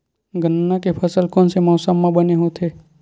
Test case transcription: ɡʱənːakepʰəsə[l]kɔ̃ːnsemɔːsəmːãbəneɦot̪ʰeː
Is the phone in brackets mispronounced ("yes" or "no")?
no